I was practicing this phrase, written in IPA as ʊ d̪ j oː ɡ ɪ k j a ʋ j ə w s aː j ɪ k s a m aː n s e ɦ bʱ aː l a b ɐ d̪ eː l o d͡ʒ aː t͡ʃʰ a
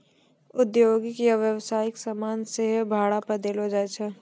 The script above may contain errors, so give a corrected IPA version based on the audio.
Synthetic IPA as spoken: ʊ d̪ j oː ɡ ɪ k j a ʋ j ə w s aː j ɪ k s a m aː n s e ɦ bʱ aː ɽ a p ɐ d̪ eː l o d͡ʒ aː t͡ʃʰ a